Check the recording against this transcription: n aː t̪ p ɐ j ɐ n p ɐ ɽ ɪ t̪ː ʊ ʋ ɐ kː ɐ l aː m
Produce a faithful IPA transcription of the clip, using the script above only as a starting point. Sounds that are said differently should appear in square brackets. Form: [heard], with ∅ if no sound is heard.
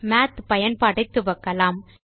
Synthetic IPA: [m] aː t̪ p ɐ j ɐ n p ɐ ɽ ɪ t̪ː [ɯ] ʋ ɐ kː ɐ l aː m